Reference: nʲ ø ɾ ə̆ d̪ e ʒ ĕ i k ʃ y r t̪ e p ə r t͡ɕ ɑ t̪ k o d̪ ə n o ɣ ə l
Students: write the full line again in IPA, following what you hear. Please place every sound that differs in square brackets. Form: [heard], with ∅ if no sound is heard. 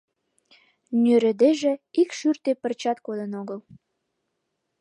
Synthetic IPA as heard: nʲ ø ɾ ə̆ d̪ e ʒ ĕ i k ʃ y r t̪ e p ə r t͡ɕ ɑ t̪ k o d̪ ə n o ɣ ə l

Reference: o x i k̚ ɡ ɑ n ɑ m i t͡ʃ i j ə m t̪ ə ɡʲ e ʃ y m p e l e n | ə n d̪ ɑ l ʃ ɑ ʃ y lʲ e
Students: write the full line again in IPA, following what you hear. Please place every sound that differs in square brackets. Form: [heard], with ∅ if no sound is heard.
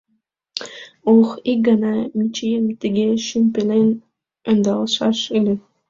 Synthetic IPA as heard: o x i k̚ ɡ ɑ n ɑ m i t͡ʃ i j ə m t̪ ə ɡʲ e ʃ y m p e l e n | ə n d̪ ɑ l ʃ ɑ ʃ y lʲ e

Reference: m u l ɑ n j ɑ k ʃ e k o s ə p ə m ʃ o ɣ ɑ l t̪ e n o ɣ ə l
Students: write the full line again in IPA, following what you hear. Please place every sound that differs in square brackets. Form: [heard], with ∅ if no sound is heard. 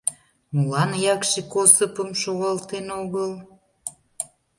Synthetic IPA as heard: m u l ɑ n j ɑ k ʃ e k o s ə p ə m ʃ o ɣ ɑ l t̪ e n o ɣ ə l

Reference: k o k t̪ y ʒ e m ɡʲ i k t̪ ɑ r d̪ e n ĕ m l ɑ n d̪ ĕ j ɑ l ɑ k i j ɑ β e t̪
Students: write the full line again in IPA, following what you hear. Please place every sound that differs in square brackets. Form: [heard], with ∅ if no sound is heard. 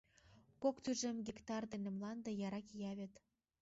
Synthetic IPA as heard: k o k t̪ y ʒ e m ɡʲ i k t̪ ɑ r d̪ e n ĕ m l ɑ n d̪ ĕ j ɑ [ɾ] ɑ k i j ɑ β e t̪

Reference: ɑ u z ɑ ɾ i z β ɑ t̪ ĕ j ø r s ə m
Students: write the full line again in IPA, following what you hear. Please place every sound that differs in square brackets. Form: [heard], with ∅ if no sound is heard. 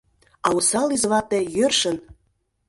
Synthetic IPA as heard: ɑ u [s] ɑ [l] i z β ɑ t̪ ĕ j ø r [ʃ] ə [n]

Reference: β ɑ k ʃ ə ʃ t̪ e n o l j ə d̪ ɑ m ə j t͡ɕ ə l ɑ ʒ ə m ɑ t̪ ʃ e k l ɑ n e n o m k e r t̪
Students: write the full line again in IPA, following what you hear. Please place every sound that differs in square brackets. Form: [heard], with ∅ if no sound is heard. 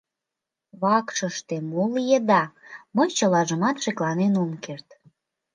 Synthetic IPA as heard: β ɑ k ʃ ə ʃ t̪ e [m] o l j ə d̪ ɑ m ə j t͡ɕ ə l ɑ ʒ ə m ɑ t̪ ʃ e k l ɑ n e n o m k e r t̪

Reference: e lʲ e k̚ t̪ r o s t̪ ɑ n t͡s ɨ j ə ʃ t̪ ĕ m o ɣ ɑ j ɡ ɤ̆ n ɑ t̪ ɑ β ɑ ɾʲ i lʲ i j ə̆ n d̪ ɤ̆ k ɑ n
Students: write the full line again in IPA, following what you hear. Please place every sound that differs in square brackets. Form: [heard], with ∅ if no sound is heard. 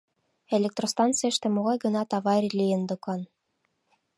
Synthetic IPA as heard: e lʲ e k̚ t̪ r o s t̪ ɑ n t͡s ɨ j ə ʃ t̪ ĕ m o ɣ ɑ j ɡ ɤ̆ n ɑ t̪ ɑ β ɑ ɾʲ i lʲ i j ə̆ n d̪ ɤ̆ k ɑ n

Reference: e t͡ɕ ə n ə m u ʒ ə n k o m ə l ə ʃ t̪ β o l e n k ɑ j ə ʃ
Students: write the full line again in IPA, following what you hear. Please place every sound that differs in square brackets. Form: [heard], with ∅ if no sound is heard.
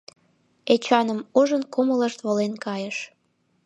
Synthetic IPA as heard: e t͡ɕ [ɑ] n ə m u ʒ ə n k o m ə l ə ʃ t̪ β o l e n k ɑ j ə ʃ

